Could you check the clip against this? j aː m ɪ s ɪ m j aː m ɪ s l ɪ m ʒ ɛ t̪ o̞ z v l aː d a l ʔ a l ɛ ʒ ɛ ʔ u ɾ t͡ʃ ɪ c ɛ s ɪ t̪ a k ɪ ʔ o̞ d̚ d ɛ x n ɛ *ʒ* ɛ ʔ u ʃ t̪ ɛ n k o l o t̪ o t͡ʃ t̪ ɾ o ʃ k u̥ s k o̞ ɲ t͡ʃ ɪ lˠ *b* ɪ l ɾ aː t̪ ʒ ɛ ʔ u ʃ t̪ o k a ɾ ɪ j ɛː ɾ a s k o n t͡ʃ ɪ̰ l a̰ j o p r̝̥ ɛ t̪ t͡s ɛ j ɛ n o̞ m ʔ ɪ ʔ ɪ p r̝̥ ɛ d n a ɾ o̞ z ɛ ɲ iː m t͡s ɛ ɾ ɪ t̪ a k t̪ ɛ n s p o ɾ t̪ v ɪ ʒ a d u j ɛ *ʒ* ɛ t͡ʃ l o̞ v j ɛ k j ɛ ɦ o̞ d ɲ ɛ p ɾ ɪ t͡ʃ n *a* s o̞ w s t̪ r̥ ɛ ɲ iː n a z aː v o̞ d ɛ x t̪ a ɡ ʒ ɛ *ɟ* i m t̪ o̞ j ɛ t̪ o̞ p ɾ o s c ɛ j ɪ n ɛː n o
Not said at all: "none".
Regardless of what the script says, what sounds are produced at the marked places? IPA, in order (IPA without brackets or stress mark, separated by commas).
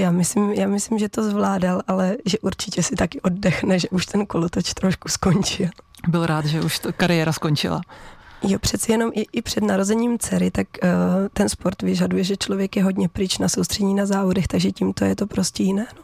ʒ, b, ʒ, a, c